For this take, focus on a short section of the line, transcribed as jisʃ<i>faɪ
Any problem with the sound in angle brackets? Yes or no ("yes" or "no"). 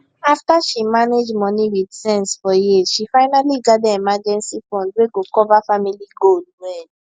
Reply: no